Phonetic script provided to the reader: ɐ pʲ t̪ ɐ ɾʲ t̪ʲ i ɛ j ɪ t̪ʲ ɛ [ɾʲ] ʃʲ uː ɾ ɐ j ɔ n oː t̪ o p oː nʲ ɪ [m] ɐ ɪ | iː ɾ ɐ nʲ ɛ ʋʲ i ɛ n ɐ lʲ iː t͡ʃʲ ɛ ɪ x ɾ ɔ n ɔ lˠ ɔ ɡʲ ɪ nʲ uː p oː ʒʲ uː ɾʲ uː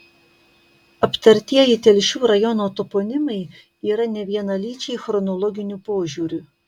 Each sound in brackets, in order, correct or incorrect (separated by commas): incorrect, correct